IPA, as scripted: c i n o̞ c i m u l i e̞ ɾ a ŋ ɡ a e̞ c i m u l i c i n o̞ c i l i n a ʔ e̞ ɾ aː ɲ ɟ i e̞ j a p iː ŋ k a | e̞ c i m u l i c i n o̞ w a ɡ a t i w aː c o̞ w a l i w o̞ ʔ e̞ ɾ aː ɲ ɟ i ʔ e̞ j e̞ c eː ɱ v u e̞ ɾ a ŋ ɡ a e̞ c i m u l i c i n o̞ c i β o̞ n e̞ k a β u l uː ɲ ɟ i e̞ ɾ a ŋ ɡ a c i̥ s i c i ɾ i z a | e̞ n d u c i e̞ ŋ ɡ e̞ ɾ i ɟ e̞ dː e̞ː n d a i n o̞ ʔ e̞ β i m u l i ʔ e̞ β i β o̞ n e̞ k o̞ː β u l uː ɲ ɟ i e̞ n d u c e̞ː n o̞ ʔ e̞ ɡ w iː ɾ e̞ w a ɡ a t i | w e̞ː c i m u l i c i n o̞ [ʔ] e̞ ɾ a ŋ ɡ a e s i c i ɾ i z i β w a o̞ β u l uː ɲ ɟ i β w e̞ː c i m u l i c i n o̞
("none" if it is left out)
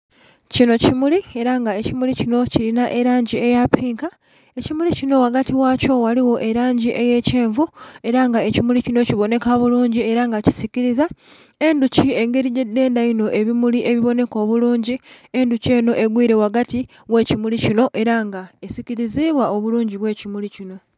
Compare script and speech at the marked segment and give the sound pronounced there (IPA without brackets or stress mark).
ʔ